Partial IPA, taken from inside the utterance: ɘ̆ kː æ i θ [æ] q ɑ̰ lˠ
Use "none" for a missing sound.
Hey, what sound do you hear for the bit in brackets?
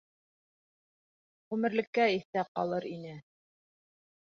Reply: æ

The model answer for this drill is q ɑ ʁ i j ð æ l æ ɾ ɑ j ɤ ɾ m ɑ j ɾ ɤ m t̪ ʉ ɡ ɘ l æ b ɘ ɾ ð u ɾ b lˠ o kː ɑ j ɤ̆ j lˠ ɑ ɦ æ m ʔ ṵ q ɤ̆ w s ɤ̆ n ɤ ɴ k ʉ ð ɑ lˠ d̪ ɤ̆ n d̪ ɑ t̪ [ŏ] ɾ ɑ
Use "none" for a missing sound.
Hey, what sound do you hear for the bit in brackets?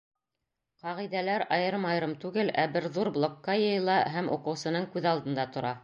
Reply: ŏ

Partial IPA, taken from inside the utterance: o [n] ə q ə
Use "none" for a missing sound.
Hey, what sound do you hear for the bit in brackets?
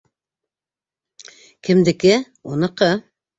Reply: n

